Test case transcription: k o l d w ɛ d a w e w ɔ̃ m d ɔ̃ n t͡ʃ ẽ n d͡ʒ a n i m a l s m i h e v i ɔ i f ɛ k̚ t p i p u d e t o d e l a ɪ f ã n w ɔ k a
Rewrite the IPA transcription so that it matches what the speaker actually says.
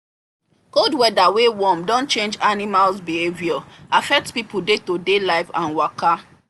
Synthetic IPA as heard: k o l d w ɛ d a w e w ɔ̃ m d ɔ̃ n t͡ʃ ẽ n d͡ʒ a n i m a l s b i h e v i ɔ a f ɛ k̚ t p i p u d e t o d e l a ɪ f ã n w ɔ k a